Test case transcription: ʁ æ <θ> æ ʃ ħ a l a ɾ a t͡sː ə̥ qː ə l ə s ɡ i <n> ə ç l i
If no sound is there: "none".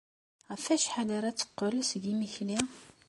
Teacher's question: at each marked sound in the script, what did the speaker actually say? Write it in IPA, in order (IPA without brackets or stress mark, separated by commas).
f, m